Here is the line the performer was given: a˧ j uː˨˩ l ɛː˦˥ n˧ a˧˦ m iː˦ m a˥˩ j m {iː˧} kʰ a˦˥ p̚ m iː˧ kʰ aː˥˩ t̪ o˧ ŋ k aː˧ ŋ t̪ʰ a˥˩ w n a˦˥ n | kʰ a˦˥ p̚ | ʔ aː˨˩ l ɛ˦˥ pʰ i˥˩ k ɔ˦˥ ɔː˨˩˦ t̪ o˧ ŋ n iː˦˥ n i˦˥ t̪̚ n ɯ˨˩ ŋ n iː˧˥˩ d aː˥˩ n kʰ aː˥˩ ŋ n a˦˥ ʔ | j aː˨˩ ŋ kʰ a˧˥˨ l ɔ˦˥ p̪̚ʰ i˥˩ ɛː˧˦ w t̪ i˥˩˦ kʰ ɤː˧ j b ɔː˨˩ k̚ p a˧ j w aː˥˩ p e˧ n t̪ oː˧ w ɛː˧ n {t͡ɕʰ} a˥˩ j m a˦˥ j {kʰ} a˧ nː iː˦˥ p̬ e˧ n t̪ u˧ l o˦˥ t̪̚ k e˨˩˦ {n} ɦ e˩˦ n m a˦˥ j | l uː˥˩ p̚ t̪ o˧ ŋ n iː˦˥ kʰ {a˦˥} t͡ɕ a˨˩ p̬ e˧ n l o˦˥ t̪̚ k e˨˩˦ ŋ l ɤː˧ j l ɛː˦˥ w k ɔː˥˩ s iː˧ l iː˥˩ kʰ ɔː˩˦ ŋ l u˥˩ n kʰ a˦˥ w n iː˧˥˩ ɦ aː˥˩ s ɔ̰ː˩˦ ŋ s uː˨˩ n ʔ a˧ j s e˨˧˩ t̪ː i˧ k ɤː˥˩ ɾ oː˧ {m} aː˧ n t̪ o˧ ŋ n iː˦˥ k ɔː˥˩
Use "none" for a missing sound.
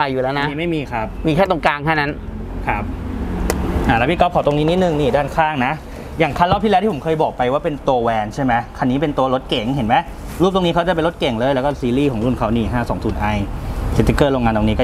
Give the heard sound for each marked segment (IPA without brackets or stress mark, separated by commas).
iː˧, t͡ɕʰ, kʰ, ŋ, a˦˥, ŋ